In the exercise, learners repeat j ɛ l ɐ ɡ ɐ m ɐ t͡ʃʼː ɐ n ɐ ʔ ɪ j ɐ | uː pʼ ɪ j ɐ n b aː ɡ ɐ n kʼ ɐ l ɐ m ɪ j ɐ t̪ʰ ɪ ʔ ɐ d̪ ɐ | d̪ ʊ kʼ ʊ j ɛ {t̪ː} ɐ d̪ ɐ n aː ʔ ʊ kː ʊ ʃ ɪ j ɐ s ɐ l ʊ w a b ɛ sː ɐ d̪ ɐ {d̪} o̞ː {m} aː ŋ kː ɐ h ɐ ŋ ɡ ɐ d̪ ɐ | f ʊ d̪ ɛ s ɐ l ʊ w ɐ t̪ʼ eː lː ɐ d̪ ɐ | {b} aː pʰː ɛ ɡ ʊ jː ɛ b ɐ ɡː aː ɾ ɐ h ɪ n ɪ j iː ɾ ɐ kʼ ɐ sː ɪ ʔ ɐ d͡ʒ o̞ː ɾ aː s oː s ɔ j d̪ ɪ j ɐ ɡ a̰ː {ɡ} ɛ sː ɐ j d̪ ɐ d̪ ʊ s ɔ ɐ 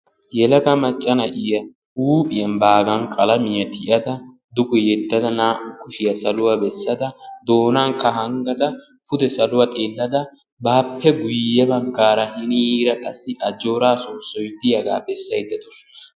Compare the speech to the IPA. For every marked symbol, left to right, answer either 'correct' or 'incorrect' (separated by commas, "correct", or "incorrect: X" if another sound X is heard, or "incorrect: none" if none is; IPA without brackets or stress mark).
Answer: incorrect: d̪ː, correct, incorrect: n, correct, incorrect: b